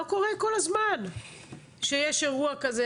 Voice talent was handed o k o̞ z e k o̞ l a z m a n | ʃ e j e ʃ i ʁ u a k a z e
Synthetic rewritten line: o k o̞ ʁ e k o̞ l a z m a n | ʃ e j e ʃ e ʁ u a k a z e